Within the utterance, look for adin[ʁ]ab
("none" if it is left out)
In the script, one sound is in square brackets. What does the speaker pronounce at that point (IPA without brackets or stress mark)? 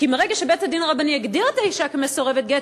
ʁ